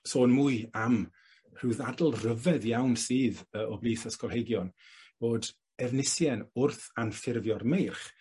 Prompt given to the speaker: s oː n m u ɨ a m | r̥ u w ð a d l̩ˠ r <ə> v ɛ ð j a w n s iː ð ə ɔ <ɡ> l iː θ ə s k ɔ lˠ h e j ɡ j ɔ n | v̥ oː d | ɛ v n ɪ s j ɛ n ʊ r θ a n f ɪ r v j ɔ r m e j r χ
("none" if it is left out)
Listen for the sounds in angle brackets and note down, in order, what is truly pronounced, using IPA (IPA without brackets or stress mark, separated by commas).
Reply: ə, b